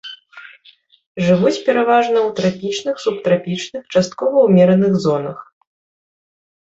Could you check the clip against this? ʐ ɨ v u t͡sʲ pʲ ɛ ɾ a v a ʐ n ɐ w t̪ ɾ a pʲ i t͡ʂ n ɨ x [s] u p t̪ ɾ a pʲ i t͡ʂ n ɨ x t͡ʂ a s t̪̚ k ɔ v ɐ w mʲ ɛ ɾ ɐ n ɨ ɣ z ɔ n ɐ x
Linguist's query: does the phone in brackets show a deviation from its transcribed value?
no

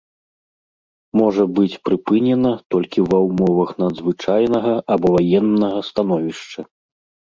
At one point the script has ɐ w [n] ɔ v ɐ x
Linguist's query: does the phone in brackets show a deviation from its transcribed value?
yes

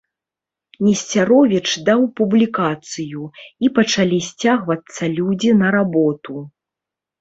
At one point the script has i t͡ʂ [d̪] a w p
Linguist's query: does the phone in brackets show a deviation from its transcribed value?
no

